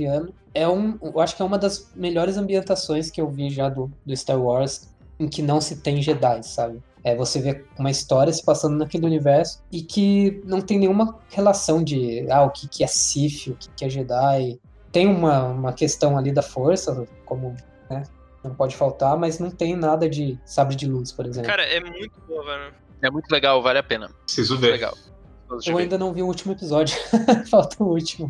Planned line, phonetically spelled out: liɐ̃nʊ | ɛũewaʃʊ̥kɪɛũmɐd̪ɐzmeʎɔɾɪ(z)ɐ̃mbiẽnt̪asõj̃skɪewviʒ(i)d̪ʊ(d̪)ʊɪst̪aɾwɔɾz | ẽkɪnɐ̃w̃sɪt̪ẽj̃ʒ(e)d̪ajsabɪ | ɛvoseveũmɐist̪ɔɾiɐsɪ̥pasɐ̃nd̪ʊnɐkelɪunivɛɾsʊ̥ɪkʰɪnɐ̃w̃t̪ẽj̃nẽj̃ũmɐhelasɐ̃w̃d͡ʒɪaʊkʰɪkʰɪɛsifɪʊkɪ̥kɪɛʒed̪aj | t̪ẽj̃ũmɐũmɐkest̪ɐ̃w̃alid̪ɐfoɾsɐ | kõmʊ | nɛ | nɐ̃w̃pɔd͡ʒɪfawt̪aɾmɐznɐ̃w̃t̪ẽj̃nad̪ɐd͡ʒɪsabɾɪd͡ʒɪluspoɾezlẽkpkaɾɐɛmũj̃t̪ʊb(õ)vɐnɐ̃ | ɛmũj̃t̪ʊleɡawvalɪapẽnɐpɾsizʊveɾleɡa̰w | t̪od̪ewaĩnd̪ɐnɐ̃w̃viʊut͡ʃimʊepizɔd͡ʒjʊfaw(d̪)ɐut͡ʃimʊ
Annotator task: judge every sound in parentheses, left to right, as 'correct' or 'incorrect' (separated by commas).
correct, incorrect, correct, correct, incorrect, incorrect